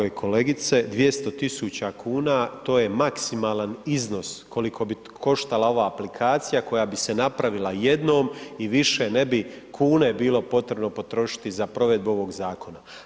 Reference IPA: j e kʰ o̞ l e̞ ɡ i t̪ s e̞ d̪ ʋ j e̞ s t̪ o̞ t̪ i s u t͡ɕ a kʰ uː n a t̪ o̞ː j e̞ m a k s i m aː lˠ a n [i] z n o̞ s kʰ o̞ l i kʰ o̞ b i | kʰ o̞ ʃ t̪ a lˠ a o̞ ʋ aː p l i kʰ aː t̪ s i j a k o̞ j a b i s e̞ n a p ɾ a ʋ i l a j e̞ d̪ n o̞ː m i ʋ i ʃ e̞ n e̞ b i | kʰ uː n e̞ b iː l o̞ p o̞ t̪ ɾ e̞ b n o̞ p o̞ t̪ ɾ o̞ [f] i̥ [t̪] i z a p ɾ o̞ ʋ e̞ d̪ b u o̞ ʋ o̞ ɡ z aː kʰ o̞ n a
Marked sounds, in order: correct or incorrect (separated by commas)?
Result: correct, incorrect, correct